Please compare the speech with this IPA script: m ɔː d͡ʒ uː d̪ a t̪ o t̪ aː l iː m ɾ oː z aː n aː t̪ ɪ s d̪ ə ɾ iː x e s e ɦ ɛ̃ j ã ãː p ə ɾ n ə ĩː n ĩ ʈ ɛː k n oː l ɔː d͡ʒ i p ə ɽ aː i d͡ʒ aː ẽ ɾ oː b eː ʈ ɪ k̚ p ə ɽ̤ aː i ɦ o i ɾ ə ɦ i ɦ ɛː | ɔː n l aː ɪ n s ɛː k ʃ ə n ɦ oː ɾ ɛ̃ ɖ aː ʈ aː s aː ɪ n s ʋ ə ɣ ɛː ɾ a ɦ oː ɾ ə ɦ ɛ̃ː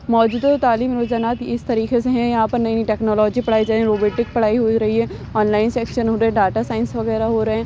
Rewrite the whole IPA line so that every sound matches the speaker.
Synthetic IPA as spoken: m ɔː d͡ʒ uː d̪ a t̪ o t̪ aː l iː m ɾ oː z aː n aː t̪ ɪ s t̪ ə ɾ iː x e s e ɦ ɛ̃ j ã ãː p ə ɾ n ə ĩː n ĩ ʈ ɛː k n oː l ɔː d͡ʒ i p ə ɽ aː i d͡ʒ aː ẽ ɾ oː b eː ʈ ɪ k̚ p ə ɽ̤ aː i ɦ o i ɾ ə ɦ i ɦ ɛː | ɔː n l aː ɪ n s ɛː k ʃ ə n ɦ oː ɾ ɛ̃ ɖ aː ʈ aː s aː ɪ n s ʋ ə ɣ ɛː ɾ a ɦ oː ɾ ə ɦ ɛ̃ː

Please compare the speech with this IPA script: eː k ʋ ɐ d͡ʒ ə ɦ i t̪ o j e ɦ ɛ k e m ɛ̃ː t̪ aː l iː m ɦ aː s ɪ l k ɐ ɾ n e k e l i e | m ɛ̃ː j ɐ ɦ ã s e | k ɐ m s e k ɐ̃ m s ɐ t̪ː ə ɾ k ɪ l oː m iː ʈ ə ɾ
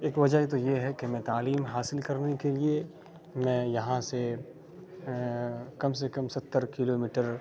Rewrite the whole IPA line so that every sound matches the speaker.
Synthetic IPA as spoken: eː k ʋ ɐ d͡ʒ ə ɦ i t̪ o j e ɦ ɛ k e m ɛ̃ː t̪ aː l iː m ɦ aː s ɪ l k ɐ ɾ n e k e l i e | m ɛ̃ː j ɐ ɦ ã s e | k ɐ m s e k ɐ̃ m s ɐ t̪ː ə ɾ k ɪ l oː m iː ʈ ə ɾ

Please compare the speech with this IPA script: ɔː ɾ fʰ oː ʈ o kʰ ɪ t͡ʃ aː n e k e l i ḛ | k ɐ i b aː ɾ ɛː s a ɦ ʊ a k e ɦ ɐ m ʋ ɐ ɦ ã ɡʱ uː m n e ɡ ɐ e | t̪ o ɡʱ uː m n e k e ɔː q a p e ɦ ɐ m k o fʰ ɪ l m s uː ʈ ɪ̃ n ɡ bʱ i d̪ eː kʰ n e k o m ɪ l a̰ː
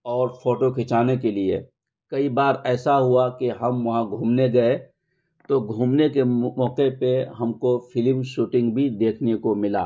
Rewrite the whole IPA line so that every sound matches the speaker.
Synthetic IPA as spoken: ɔː ɾ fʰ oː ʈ o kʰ ɪ t͡ʃ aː n e k e l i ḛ | k ɐ i b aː ɾ ɛː s a ɦ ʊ a k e ɦ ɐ m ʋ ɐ ɦ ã ɡʱ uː m n e ɡ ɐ e | t̪ o ɡʱ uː m n e k e ɔː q e p e ɦ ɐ m k o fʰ ɪ l m ʃ uː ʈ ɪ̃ ŋ ɡ bʱ i d̪ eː kʰ n e k o m ɪ l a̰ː

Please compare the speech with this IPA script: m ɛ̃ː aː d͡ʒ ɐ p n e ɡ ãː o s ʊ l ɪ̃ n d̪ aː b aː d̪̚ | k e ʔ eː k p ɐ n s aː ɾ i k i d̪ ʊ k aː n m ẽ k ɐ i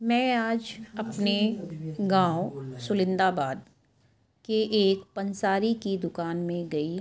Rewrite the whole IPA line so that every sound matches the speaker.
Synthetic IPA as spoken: m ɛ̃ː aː d͡ʒ ɐ p n e ɡ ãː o s ʊ l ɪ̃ n d̪ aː b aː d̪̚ | k e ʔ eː k p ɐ n s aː ɾ i k i d̪ ʊ k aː n m ẽ ɡ ɐ i

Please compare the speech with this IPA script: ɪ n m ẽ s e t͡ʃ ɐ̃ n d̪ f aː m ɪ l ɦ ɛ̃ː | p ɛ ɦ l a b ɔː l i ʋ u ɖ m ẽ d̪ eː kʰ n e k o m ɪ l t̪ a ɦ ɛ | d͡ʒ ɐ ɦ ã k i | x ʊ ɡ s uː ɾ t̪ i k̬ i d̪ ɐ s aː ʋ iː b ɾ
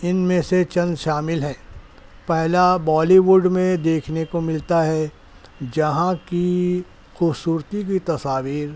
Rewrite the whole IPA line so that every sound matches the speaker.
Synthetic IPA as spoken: ɪ n m ẽ s e t͡ʃ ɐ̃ n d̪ ʃ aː m ɪ l ɦ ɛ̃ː | p ɛ ɦ l a b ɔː l i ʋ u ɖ m ẽ d̪ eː kʰ n e k o m ɪ l t̪ a ɦ ɛ | d͡ʒ ɐ ɦ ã k i | x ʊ b s uː ɾ t̪ i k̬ i t̪ ɐ s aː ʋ iː ɾ

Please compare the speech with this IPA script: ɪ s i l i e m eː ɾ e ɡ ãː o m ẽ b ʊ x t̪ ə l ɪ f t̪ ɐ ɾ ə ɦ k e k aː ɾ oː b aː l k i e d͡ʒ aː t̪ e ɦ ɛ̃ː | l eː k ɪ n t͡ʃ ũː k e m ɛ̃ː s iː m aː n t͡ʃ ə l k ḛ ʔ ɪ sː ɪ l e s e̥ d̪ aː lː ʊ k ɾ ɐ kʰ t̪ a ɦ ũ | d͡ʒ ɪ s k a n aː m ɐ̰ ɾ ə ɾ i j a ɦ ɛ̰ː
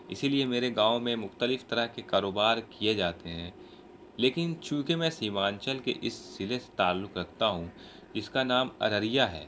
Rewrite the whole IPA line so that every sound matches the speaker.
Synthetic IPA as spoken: ɪ s i l i e m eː ɾ e ɡ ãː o m ẽ m ʊ x t̪ ə l ɪ f t̪ ɐ ɾ ə ɦ k e k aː ɾ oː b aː ɾ k i e d͡ʒ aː t̪ e ɦ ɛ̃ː | l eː k ɪ n t͡ʃ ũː k e m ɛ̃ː s iː m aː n t͡ʃ ə l k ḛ ʔ ɪ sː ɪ l e s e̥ t̪ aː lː ʊ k ɾ ɐ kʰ t̪ a ɦ ũ | d͡ʒ ɪ s k a n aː m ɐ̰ ɾ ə ɾ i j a ɦ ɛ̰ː

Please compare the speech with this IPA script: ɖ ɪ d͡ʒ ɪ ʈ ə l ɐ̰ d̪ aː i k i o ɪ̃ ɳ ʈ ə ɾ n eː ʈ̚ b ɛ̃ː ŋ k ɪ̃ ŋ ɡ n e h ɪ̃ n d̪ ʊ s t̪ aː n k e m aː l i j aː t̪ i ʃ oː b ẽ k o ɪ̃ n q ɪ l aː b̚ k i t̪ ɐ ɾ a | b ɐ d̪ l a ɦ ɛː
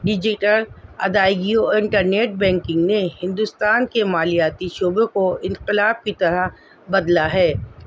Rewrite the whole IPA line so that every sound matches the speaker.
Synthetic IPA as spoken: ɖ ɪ d͡ʒ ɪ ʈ ə l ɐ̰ d̪ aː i ɡ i o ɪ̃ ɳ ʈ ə ɾ n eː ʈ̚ b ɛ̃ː ŋ k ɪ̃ ŋ ɡ n e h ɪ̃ n d̪ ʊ s t̪ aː n k e m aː l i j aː t̪ i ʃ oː b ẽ k o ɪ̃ n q ɪ l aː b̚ k i t̪ ɐ ɾ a | b ɐ d̪ l a ɦ ɛː

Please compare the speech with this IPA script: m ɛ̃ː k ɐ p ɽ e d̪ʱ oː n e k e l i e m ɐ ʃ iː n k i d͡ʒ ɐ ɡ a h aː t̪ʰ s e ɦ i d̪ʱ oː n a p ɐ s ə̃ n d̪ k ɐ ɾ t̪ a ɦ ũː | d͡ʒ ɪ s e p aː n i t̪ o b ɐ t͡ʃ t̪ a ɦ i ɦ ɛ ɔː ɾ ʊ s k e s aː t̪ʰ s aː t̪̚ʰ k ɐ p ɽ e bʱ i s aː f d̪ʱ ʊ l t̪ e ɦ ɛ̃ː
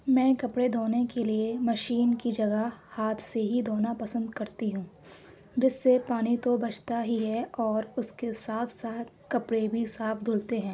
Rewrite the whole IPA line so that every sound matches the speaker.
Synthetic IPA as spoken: m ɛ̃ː k ɐ p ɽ e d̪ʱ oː n e k e l i e m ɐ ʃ iː n k i d͡ʒ ɐ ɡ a h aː t̪ʰ s e ɦ i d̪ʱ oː n a p ɐ s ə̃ n d̪ k ɐ ɾ t̪ i ɦ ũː | d͡ʒ ɪ sː e p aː n i t̪ o b ɐ t͡ʃ t̪ a ɦ i ɦ ɛ ɔː ɾ ʊ s k e s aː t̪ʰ s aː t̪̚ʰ k ɐ p ɽ e bʱ i s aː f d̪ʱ ʊ l t̪ e ɦ ɛ̃ː

